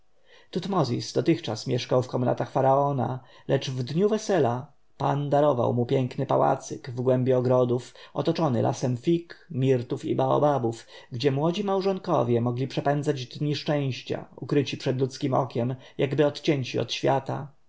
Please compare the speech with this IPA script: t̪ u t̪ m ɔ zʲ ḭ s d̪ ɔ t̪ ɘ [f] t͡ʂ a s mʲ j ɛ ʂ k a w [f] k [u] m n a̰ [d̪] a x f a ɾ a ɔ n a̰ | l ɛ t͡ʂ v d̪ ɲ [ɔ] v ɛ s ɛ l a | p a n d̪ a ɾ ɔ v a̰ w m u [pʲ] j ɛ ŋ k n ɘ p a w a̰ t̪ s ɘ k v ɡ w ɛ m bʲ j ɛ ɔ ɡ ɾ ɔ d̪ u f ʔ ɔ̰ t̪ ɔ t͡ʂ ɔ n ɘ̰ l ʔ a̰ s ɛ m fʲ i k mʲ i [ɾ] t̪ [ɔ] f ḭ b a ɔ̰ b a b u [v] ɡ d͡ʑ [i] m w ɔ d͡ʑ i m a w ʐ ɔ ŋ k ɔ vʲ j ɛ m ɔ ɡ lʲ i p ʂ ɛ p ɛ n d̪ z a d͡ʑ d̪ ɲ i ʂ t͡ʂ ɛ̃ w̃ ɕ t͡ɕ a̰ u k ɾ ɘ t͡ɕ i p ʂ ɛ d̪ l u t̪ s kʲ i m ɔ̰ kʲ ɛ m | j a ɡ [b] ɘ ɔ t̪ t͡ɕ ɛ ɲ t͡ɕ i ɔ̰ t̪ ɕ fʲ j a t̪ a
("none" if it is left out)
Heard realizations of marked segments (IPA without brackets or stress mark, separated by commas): x, f, ɔ, t̪, u, pʲ, ɾ, u, f, ɛ, b